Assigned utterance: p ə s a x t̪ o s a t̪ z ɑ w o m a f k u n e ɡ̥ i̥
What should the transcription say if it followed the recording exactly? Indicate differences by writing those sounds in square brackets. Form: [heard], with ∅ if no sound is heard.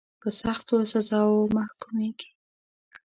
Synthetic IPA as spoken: p ə s a x t̪ o s a [∅] z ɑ w o m a [h] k u [m] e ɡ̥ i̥